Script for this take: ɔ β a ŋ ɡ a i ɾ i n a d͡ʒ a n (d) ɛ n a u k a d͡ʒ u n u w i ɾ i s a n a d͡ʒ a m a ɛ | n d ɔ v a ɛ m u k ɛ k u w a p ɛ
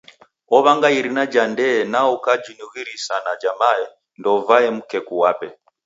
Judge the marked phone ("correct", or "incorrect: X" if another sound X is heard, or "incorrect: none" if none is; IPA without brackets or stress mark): correct